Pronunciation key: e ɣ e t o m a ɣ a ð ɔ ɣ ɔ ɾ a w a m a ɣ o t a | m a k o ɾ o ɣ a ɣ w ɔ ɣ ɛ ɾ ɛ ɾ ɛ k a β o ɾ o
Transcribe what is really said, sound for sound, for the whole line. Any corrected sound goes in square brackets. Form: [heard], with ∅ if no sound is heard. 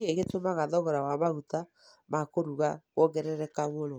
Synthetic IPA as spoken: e ɣ e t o m a ɣ a ð ɔ ɣ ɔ ɾ a w a m a ɣ [u] t a | m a k o ɾ [u] ɣ a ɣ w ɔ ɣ ɛ ɾ ɛ ɾ ɛ k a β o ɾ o